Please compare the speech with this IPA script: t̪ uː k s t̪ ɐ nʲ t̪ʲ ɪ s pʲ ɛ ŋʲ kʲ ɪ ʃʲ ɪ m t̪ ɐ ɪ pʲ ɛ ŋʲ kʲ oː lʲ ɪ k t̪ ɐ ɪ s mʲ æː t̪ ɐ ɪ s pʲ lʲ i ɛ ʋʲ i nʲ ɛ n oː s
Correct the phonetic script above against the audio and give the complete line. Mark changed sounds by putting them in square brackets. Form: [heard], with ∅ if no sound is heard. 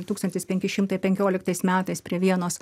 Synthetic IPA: t̪ uː k s t̪ ɐ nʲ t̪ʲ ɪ s pʲ ɛ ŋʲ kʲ ɪ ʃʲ ɪ m t̪ ɐ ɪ pʲ ɛ ŋʲ kʲ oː lʲ ɪ k t̪ ɐ ɪ s mʲ æː t̪ ɐ ɪ s pʲ [ɾʲ] i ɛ ʋʲ i [∅] ɛ n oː s